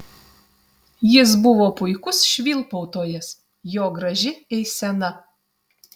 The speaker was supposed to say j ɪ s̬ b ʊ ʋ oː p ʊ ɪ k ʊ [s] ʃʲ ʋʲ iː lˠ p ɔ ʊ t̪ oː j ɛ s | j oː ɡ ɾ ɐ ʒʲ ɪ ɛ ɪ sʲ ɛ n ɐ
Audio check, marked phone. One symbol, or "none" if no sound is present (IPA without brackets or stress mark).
s